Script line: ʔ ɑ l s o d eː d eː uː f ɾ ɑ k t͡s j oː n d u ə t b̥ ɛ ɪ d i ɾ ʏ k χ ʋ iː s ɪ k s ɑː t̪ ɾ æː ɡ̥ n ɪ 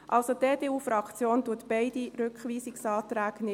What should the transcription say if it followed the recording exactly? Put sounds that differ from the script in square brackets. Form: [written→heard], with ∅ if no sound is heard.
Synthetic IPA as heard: ʔ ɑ l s o d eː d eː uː f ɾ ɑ k t͡s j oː n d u ə t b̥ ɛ ɪ d i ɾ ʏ k χ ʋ iː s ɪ k s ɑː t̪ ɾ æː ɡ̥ n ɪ